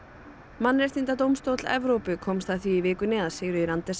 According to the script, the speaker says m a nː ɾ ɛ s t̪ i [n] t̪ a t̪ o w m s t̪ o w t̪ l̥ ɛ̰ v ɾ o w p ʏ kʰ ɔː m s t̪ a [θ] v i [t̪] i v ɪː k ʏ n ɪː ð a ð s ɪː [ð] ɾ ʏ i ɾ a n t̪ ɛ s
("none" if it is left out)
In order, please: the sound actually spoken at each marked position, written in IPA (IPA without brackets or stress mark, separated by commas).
n, θ, none, ɣ